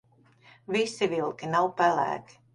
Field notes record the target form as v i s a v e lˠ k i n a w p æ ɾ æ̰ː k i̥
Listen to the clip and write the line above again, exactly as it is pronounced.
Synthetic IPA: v i s i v i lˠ k i n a w p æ l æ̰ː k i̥